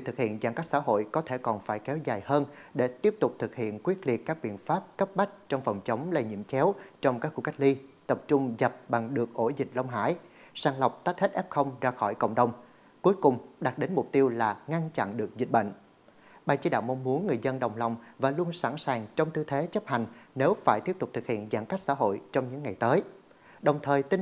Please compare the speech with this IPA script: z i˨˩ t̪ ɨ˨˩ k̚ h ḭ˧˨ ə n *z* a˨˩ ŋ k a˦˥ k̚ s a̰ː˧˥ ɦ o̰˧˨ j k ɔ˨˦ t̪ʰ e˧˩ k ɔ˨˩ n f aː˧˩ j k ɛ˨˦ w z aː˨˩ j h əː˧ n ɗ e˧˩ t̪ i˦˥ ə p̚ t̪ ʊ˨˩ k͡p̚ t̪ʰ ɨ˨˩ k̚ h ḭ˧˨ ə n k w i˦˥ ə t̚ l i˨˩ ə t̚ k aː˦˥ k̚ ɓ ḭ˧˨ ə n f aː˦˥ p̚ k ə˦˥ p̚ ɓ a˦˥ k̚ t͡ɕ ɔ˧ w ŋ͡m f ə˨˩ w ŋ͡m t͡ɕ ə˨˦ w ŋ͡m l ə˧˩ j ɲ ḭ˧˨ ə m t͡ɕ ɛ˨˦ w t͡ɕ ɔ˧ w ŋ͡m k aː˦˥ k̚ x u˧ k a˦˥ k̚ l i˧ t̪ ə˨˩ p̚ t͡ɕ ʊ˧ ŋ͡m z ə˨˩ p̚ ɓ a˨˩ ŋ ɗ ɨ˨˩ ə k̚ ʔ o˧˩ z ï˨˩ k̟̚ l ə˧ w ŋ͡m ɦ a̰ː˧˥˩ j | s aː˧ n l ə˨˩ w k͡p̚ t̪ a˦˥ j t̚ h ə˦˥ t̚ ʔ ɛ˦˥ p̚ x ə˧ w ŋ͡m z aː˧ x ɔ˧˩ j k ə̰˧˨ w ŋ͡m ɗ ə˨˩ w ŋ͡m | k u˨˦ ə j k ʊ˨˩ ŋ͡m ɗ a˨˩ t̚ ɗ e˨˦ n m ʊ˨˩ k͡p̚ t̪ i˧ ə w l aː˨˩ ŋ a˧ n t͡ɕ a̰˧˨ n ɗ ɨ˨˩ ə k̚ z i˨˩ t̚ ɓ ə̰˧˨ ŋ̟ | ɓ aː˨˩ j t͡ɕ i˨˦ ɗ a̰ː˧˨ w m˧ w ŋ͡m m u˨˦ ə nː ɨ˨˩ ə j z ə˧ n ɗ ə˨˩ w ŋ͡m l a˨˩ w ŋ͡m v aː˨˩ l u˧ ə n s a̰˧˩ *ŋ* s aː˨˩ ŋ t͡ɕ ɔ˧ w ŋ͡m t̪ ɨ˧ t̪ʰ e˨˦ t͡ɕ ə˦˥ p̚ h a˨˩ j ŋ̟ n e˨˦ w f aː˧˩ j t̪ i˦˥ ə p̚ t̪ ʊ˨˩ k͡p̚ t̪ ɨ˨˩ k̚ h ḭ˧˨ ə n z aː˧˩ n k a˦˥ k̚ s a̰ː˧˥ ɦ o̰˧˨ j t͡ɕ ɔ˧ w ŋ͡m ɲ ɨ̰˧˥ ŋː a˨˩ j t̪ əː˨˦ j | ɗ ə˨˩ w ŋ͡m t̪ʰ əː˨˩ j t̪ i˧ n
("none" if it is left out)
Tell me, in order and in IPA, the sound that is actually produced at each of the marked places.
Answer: z, n

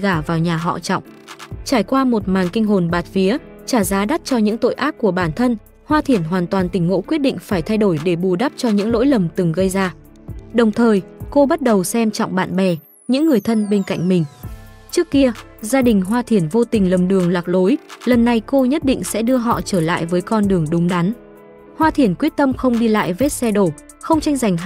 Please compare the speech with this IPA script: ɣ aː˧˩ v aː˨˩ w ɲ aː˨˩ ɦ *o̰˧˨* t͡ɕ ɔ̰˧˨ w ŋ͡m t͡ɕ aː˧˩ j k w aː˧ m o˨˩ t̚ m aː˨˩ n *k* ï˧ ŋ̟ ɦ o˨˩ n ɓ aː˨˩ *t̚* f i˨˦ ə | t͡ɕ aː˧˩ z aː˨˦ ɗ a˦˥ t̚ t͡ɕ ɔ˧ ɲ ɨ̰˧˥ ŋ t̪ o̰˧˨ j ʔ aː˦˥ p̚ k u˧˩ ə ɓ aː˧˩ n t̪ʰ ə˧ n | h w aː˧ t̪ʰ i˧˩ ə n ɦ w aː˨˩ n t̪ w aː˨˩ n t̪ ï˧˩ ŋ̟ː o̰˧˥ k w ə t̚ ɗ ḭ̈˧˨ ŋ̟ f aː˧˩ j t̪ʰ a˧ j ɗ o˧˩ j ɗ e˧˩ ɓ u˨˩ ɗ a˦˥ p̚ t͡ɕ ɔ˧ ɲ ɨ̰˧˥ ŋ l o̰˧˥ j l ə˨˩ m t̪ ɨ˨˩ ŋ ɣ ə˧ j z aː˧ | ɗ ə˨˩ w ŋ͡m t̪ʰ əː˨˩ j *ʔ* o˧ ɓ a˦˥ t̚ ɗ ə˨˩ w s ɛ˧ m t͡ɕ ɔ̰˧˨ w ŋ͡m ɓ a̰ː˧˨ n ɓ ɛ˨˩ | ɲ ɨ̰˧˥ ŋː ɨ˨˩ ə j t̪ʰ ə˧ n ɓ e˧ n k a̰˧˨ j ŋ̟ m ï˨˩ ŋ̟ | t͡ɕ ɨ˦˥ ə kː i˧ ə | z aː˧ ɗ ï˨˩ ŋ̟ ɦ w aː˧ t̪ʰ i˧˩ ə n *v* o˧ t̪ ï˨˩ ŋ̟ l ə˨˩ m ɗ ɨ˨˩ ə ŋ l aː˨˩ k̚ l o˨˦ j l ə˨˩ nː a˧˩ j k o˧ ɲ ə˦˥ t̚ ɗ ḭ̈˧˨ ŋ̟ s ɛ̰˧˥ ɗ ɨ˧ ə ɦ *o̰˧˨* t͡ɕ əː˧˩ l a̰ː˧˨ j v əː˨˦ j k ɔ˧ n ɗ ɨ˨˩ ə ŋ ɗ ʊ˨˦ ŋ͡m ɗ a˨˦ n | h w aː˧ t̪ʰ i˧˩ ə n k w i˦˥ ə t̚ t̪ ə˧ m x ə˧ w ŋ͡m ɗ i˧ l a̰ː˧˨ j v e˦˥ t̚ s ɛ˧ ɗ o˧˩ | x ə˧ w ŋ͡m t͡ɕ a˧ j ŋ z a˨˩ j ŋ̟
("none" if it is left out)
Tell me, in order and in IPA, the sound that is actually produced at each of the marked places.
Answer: ɔ̰˧˨, k, t̚, k, v, ɔ̰˧˨

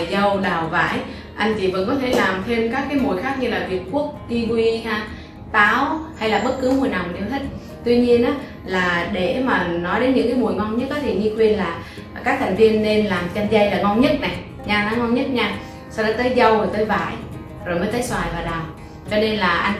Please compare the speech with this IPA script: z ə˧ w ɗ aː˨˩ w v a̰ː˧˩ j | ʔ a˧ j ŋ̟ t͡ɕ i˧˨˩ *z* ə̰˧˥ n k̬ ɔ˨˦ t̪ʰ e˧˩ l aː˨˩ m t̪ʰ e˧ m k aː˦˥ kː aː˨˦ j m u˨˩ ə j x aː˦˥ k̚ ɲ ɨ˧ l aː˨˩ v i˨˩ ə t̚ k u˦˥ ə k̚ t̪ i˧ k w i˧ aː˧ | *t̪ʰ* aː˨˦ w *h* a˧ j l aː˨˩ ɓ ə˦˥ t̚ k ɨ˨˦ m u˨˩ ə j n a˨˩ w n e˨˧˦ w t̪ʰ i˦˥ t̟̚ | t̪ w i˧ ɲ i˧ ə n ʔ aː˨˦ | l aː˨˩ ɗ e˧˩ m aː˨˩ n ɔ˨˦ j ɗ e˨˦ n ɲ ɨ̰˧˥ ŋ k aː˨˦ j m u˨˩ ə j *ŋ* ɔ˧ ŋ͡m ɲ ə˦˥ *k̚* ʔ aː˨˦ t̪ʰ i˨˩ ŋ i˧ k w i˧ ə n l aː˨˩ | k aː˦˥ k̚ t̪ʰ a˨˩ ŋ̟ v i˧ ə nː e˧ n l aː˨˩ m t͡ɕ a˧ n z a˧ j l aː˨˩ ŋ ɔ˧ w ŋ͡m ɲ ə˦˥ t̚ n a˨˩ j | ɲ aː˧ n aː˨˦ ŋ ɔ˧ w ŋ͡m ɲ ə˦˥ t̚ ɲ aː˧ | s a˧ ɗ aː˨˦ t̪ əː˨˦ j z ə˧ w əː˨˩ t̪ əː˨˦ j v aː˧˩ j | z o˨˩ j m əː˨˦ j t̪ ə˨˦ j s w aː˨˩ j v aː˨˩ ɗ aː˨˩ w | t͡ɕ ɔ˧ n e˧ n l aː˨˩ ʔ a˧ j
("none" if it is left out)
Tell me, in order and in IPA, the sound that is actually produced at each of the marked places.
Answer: v, t̪, h, ŋ, t̚

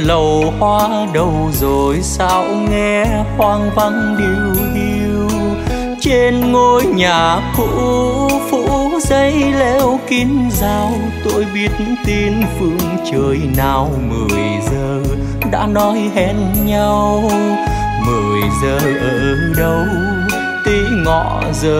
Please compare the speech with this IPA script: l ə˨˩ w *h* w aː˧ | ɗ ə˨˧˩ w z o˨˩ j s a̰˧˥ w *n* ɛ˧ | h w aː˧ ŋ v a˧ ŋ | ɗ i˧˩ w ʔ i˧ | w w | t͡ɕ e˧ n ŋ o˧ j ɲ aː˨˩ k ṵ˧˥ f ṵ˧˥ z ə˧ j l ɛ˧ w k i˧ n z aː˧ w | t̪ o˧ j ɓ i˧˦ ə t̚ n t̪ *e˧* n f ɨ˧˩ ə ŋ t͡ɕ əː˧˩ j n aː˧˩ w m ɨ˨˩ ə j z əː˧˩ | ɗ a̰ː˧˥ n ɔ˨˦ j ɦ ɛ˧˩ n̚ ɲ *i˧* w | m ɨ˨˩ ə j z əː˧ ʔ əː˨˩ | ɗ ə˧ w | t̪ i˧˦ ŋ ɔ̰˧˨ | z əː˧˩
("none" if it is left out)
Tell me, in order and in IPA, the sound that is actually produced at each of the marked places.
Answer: h, ŋ, i˧, a˧

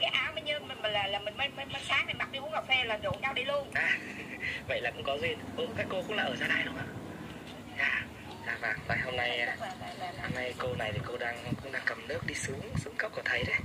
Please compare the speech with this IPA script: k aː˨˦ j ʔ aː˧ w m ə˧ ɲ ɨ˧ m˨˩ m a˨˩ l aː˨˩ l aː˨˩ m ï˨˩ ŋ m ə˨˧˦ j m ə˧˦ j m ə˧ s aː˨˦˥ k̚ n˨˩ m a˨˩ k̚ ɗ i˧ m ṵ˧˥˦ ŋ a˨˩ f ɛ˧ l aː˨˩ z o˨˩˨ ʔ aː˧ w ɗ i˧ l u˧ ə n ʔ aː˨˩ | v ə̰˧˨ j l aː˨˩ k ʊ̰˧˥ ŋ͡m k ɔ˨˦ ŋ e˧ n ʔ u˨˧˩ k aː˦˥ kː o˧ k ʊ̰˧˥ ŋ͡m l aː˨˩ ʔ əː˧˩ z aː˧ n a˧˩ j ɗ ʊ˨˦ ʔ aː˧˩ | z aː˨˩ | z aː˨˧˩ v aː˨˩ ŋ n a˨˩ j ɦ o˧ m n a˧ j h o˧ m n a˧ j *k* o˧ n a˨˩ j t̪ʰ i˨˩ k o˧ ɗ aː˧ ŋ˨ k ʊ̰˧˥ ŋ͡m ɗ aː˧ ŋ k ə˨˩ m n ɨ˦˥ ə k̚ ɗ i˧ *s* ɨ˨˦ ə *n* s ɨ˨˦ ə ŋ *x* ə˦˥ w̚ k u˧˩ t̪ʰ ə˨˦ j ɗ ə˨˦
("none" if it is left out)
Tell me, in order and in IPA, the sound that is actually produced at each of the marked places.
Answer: k, s, ŋ, k

